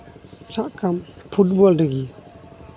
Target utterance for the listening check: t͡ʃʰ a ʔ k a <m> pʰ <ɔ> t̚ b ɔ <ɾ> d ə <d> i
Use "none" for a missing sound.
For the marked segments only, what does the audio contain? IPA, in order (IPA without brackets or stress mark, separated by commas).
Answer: m, u, l, ɡ